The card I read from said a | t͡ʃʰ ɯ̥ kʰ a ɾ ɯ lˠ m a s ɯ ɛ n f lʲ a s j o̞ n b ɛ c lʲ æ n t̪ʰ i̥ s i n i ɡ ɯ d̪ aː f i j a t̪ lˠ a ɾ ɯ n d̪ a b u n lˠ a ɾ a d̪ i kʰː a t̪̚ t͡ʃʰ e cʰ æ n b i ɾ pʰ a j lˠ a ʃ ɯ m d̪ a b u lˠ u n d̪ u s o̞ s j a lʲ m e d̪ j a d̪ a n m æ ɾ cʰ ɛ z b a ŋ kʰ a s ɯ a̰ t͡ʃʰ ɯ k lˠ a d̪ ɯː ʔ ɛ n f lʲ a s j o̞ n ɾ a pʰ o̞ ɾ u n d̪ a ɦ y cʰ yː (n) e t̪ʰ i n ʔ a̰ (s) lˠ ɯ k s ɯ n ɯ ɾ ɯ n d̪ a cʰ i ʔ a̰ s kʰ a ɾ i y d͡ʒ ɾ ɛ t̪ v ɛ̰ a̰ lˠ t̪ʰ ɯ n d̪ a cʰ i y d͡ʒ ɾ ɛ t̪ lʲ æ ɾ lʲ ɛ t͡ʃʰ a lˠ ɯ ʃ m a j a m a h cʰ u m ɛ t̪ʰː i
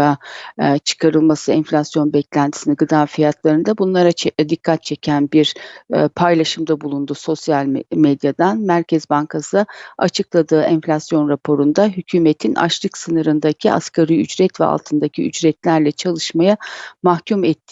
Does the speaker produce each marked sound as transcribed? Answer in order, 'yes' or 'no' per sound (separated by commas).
no, no